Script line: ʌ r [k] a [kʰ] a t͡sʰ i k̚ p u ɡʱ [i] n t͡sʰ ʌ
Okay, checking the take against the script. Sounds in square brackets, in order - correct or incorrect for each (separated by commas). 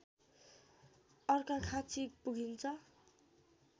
correct, correct, correct